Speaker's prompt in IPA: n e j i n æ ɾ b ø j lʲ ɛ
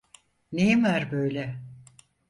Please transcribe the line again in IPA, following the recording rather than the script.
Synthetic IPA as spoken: n e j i m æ ɾ b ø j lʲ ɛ